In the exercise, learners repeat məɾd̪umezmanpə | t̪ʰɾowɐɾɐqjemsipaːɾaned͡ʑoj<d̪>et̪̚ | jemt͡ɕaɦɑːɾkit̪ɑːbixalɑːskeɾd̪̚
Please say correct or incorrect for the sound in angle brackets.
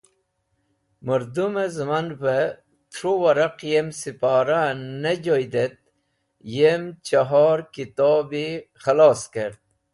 correct